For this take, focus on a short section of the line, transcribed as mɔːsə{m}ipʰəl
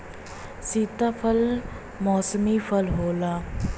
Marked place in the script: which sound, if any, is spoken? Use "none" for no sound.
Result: m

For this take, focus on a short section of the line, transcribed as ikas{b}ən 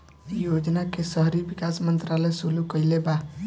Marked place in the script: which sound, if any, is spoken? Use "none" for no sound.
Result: m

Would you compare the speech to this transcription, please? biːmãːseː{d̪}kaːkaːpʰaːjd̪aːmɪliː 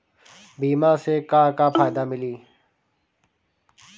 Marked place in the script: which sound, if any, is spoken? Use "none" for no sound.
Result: none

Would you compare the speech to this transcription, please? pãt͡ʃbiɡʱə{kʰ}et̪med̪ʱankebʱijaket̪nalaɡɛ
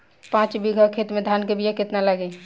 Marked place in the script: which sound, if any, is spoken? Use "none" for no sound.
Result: kʰ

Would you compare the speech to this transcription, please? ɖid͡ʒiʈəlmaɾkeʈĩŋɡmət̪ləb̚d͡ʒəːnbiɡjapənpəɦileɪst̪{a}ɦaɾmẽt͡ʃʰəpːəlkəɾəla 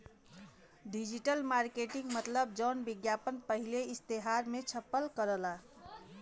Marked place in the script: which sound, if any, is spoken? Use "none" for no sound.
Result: e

